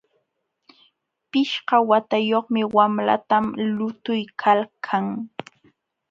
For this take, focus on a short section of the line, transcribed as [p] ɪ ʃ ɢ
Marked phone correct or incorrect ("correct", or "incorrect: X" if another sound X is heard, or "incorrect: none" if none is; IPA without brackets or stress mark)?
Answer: correct